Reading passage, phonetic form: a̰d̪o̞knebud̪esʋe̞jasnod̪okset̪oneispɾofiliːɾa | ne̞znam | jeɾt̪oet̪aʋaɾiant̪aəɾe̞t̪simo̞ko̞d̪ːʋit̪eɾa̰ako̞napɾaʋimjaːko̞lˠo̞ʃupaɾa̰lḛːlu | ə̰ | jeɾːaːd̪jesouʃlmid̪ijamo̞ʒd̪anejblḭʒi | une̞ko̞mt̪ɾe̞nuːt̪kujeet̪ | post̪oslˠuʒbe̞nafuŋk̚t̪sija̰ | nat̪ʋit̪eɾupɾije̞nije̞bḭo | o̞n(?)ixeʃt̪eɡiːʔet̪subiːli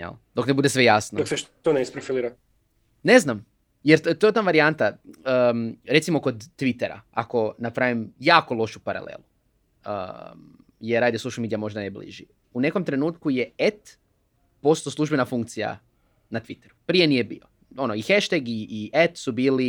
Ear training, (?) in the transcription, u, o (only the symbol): o